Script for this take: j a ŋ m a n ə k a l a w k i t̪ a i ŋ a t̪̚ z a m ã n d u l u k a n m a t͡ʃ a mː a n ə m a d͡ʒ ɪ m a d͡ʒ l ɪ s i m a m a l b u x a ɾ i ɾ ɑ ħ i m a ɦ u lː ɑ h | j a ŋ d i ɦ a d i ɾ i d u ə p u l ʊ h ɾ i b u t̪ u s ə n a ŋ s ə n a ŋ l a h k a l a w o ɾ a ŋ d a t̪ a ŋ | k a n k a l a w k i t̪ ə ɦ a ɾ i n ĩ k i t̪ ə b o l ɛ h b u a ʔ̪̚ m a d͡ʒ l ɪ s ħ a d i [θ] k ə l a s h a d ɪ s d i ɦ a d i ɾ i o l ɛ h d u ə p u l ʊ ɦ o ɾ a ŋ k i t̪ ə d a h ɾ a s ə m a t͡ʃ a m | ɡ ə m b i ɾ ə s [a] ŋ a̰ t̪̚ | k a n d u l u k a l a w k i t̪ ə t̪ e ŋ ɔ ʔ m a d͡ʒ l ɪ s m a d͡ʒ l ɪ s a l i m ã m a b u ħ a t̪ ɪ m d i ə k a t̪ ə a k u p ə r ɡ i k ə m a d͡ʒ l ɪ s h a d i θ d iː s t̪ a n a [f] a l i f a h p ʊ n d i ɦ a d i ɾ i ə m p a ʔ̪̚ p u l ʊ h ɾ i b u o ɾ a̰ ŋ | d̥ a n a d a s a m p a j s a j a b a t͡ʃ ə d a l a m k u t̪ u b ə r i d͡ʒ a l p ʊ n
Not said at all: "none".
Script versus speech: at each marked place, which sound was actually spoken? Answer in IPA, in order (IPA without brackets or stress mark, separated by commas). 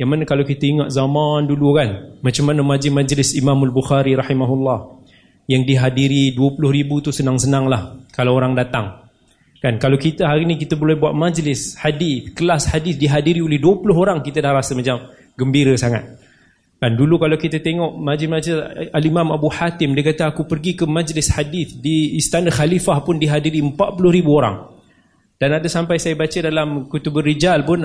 θ, a, x